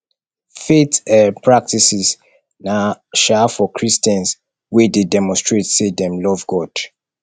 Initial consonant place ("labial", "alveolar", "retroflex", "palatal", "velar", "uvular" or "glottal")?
labial